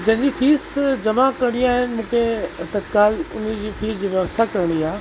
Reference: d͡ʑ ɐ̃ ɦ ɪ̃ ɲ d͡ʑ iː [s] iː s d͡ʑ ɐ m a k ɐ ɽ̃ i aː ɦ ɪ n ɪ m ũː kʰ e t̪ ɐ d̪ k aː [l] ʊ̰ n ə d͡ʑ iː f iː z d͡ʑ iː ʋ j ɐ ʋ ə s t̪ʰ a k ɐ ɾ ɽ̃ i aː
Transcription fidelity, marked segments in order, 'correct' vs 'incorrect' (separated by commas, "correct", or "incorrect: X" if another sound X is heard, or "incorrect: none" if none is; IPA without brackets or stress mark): incorrect: f, correct